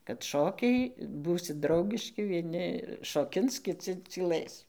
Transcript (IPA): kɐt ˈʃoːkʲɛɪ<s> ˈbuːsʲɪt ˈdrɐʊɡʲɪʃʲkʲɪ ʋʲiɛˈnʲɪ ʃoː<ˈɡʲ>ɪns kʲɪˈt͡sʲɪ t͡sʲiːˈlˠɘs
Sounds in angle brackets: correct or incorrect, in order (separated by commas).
incorrect, incorrect